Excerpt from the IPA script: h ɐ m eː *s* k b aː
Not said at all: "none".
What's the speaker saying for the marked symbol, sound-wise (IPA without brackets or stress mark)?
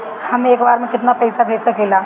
none